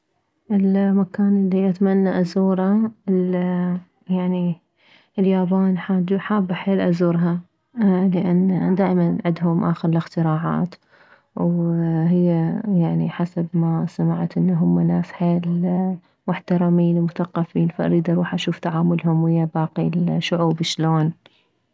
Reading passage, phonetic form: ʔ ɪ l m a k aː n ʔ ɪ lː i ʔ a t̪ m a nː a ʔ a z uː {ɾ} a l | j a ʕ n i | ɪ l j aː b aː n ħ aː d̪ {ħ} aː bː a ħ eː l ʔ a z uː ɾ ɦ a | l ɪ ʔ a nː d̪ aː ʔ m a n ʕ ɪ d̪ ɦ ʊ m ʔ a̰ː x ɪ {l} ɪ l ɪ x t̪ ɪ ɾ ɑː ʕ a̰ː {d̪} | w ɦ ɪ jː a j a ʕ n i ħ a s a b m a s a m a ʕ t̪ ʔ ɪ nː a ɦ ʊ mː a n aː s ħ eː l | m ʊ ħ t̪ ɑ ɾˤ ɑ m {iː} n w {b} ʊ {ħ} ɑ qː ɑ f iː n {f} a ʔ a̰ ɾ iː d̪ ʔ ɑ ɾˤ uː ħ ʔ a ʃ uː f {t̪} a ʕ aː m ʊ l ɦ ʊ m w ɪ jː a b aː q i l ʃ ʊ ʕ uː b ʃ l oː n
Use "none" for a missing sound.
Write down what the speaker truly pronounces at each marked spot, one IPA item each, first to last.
ɾ, ħ, ɾ, t̪, iː, m, θ, f, t̪

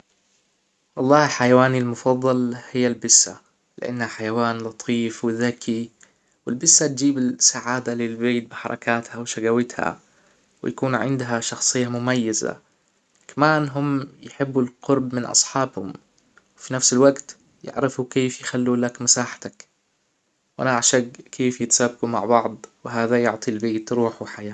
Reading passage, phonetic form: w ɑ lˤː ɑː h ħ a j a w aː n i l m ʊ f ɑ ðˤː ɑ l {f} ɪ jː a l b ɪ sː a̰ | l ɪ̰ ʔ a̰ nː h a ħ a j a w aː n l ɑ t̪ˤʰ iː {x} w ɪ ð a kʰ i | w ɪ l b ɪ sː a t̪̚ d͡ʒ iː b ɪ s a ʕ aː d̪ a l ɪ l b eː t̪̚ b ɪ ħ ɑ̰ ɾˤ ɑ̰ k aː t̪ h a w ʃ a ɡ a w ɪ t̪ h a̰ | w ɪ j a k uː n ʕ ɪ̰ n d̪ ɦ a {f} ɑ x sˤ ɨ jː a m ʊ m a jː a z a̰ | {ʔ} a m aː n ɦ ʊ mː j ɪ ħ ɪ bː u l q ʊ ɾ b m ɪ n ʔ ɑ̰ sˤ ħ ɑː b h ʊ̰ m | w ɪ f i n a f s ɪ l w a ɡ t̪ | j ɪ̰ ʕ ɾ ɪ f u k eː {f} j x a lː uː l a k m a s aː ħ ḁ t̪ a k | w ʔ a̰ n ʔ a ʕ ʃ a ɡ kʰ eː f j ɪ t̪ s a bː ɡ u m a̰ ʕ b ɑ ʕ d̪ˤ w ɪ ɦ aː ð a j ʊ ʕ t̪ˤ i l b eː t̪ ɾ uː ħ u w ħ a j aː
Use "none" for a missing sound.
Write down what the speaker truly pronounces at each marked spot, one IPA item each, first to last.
h, f, ʃ, k, f

